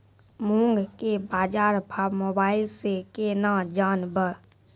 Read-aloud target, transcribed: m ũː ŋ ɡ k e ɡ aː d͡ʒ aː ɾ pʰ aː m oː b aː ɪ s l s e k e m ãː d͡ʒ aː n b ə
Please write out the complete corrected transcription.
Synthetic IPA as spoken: m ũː ŋ ɡ k e b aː d͡ʒ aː ɾ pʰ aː m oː b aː ɪ l s e k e n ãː d͡ʒ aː n b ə